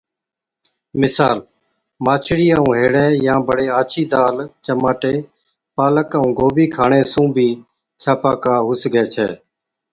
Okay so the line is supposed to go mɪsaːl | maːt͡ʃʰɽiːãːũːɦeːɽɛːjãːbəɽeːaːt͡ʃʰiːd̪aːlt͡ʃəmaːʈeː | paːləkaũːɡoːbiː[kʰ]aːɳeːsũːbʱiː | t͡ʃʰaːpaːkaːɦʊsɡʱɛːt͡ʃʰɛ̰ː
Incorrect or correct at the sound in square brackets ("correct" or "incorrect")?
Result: correct